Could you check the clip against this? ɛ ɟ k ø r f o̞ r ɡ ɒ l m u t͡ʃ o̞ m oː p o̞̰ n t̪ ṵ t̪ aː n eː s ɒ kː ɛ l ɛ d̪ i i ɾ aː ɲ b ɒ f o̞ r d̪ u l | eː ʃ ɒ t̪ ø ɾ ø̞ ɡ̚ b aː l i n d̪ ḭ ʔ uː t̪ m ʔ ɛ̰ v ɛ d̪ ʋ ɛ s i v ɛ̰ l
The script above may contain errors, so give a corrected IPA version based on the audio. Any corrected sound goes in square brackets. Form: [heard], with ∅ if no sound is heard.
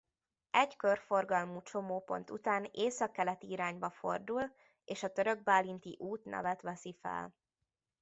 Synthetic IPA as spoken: ɛ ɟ k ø r f o̞ r ɡ ɒ l m u t͡ʃ o̞ m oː p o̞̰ n t̪ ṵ t̪ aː n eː s ɒ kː ɛ l ɛ [t̪] i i ɾ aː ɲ b ɒ f o̞ r d̪ u l | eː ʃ ɒ t̪ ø ɾ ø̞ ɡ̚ b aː l i n [t̪] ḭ ʔ uː t̪ [n] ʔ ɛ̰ v ɛ [t̪] ʋ ɛ s i [f] ɛ̰ l